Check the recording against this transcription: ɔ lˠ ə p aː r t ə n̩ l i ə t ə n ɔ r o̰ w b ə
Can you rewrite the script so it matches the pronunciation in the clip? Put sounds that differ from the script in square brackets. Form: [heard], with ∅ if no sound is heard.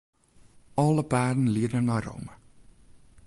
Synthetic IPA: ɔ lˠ ə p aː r [d] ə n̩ l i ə [d] ə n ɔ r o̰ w [m] ə